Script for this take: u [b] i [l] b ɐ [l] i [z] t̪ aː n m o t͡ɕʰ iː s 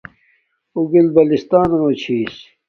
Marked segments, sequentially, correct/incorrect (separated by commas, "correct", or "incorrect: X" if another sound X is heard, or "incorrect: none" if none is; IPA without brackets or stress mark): incorrect: ɡ, correct, correct, incorrect: s